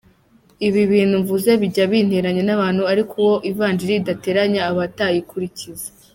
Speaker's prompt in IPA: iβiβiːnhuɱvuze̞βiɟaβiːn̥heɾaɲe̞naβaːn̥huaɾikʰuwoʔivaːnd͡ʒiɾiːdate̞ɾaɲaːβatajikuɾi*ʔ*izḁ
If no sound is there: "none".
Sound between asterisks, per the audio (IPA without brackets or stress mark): c